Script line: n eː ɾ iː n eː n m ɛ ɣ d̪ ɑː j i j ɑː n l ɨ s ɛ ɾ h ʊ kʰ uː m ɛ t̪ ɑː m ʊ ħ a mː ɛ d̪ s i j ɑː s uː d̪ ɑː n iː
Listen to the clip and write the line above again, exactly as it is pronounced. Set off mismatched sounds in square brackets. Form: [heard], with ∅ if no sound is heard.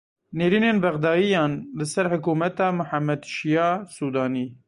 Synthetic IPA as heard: n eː ɾ iː n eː n [b] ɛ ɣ d̪ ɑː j i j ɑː n l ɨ s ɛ ɾ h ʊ [k] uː m ɛ t̪ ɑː m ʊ ħ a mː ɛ d̪ [ʃ] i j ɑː s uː d̪ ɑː n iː